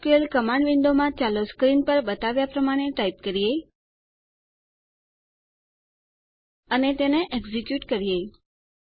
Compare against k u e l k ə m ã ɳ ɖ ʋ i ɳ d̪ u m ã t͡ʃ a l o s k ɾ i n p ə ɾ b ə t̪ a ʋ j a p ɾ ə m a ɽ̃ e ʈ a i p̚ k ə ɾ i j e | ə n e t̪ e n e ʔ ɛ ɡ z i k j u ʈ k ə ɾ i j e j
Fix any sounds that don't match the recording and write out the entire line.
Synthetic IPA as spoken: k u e l k ə m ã ɳ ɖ ʋ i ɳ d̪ o m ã t͡ʃ a l o s k ɾ i n p ə ɾ b ə t̪ a ʋ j a p ɾ ə m a ɽ̃ e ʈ a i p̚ k ə ɾ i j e | ə n e t̪ e n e ʔ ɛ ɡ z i k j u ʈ k ə ɾ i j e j